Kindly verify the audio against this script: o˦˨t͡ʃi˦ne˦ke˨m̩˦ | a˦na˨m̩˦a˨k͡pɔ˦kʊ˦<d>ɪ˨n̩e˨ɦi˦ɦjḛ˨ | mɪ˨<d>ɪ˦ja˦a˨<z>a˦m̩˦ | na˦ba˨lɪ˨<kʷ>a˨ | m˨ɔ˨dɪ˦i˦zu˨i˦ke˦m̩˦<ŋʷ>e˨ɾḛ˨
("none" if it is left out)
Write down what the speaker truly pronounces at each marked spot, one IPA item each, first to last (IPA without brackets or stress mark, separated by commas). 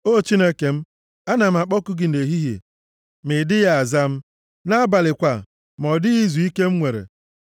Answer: ɡ, d, z, kʷ, ŋʷ